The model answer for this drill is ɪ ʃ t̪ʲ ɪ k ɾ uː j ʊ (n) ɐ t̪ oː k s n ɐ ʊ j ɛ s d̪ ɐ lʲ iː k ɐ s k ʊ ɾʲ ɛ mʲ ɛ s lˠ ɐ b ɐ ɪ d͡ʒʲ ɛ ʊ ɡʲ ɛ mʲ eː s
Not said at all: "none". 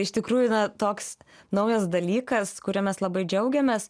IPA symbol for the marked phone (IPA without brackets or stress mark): n